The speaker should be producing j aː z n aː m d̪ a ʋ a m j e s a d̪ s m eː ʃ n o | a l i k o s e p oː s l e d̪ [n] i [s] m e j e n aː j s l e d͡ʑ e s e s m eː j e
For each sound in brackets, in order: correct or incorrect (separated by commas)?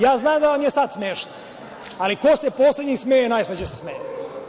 incorrect, correct